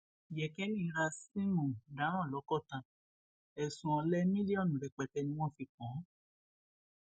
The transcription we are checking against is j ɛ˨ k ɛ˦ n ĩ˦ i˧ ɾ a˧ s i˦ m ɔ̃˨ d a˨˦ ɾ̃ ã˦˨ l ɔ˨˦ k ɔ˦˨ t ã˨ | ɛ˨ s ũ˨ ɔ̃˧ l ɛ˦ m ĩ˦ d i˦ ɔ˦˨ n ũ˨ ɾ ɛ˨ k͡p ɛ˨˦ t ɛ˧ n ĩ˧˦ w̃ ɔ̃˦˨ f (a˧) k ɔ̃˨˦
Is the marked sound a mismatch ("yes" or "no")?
yes